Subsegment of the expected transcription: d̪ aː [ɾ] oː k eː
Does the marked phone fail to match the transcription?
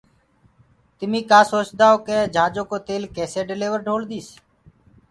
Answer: yes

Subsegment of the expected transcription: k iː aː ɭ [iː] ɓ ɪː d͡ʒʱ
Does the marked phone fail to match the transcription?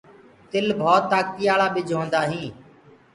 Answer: yes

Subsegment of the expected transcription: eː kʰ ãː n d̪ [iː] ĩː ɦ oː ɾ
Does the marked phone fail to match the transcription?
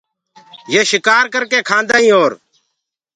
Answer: yes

